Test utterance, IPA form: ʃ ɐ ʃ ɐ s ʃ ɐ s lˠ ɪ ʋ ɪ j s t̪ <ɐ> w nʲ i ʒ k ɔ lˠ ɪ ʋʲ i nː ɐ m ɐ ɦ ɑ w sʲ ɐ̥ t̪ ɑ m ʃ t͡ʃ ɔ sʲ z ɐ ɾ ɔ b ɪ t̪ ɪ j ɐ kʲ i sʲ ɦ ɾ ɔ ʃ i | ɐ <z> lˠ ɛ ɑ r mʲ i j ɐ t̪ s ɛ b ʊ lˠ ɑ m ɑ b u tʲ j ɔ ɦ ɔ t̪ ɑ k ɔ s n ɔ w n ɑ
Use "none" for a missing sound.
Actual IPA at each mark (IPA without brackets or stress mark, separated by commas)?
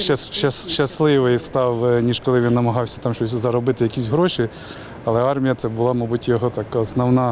ɑ, none